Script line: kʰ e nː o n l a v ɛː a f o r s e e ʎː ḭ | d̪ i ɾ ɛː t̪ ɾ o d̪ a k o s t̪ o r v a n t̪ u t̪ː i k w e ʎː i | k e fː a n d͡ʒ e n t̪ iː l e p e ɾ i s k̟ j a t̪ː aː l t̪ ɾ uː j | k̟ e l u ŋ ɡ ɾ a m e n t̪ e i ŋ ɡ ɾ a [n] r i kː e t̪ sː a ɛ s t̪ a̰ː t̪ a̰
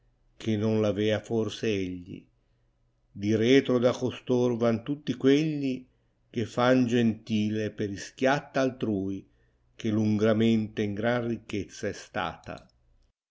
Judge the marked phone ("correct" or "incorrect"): correct